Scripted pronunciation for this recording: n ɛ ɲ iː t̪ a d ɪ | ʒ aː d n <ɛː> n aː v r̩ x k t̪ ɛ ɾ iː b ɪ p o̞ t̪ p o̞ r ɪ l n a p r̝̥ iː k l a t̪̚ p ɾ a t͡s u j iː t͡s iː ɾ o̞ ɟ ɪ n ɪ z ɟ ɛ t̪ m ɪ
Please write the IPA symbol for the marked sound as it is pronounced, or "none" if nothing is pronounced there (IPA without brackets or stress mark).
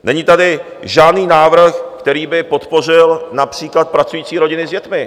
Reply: iː